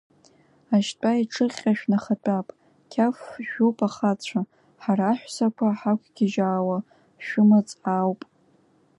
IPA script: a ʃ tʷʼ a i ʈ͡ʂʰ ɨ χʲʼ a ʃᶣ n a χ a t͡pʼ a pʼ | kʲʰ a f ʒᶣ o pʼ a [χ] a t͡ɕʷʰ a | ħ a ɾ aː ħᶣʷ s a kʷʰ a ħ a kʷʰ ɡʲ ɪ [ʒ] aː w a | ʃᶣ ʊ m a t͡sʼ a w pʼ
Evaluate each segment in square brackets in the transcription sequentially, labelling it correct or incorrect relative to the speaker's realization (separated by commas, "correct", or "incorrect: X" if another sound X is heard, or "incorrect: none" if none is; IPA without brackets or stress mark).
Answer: correct, correct